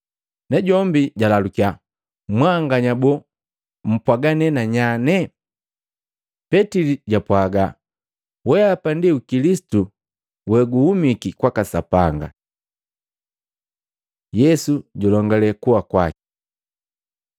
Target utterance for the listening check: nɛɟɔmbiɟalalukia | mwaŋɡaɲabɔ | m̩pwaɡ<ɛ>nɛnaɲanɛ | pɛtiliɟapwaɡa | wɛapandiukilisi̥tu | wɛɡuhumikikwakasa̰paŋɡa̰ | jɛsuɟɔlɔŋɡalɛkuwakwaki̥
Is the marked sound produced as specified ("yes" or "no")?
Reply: no